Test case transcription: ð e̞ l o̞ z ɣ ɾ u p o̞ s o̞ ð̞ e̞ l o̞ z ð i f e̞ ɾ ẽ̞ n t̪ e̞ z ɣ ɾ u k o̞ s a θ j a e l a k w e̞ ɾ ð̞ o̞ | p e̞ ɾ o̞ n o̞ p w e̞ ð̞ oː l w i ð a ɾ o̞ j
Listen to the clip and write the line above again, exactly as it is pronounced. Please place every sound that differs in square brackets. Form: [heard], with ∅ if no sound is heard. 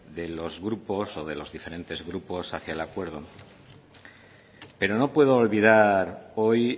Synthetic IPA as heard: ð e̞ l o̞ z ɣ ɾ u p o̞ s o̞ ð̞ e̞ l o̞ z ð i f e̞ ɾ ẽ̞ n t̪ e̞ z ɣ ɾ u [p] o̞ s a θ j a e l a k w e̞ ɾ ð̞ o̞ | p e̞ ɾ o̞ n o̞ p w e̞ ð̞ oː l [β] i ð a ɾ o̞ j